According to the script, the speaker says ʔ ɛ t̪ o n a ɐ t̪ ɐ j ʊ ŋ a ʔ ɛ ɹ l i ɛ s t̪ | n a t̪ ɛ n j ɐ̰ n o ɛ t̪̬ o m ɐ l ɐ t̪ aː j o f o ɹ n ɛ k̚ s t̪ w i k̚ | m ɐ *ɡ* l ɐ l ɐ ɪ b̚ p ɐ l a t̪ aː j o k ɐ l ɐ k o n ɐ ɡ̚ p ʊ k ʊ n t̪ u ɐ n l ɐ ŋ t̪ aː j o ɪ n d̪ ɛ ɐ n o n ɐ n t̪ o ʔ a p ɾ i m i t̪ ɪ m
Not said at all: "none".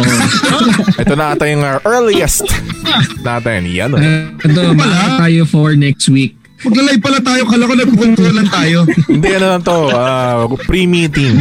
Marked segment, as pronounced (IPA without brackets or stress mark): ɡ